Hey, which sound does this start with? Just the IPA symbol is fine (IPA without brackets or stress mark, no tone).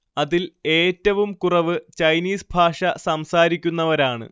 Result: ɐ